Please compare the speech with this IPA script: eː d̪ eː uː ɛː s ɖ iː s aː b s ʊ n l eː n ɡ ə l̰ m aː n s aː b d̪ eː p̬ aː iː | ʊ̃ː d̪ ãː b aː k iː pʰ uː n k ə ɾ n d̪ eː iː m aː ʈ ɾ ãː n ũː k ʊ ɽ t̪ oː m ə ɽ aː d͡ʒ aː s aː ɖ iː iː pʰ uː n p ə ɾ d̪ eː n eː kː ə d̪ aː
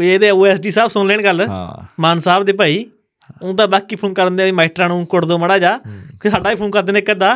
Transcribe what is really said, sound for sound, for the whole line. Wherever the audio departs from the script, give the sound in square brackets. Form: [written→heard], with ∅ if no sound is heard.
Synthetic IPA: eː d̪ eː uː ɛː s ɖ iː s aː b s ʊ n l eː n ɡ ə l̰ m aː n s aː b d̪ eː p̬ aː iː | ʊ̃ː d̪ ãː b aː k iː pʰ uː n k ə ɾ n d̪ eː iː m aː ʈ ɾ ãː n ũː k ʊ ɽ [t̪→d̪] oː m ə ɽ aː d͡ʒ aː s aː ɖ [iː→aː] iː pʰ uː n [p→k] ə ɾ d̪ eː n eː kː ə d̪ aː